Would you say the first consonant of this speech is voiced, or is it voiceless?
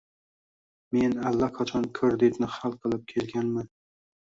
voiced